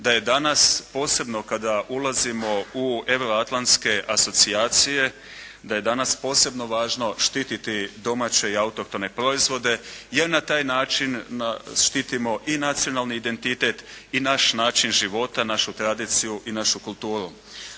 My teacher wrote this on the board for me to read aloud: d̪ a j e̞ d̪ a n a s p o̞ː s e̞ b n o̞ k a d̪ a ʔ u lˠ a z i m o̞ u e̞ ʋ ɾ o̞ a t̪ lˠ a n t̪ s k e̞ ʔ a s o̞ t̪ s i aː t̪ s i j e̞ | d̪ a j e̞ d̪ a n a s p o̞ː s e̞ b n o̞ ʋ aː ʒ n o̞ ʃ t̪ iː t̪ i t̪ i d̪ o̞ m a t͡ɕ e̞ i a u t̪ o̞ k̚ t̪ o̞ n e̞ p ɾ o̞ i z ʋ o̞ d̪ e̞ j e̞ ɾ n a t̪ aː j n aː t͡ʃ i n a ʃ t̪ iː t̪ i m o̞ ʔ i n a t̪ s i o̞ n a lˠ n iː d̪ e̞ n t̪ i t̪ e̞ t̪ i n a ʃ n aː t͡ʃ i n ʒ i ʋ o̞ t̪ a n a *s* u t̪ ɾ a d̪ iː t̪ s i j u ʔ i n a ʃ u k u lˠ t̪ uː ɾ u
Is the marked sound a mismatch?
yes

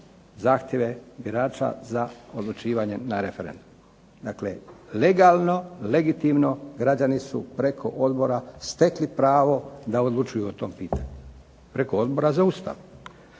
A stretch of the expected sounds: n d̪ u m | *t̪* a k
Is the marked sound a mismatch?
yes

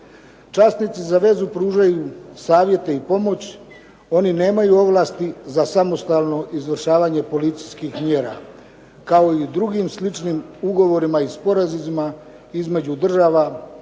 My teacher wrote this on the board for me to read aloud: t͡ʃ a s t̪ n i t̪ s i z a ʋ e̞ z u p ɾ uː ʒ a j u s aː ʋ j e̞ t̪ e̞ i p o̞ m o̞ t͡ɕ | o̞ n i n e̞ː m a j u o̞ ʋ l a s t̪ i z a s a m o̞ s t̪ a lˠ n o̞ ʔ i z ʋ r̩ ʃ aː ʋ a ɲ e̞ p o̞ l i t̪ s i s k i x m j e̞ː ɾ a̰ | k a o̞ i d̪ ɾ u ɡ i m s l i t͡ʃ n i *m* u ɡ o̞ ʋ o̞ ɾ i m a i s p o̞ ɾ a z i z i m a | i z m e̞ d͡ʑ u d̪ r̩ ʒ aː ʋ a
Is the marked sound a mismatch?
no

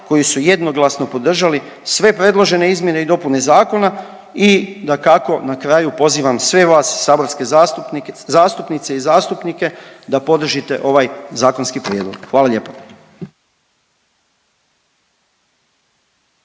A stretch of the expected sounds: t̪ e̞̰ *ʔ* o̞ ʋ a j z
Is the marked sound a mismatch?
no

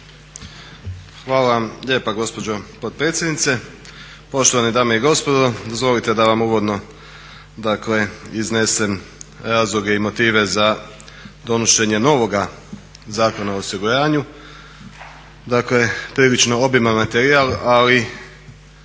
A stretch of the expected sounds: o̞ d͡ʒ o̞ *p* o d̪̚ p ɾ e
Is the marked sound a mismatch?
no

